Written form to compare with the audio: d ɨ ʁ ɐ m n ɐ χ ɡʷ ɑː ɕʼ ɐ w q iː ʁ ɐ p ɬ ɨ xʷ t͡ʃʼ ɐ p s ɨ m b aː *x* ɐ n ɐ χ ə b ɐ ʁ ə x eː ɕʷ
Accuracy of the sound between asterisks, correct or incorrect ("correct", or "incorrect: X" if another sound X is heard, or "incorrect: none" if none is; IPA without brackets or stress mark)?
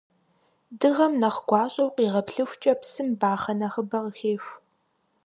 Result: incorrect: χ